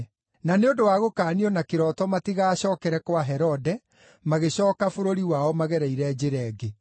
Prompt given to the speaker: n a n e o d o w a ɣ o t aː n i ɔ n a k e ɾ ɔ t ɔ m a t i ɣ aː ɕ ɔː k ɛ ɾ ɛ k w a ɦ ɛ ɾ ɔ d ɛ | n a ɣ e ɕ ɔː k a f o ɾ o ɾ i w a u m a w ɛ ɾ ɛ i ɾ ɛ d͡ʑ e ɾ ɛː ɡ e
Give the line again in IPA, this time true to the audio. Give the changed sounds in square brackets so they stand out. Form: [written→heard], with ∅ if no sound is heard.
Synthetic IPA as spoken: n a n e o d o w a ɣ o [t→k] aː n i ɔ n a k e ɾ ɔ t ɔ m a t i ɣ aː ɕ ɔː k ɛ ɾ ɛ k w a ɦ ɛ ɾ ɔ d ɛ | [n→m] a ɣ e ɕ ɔː k a f o ɾ o ɾ i w a [u→ɔ] m a [w→ɣ] ɛ ɾ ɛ i ɾ ɛ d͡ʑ e ɾ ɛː ɡ e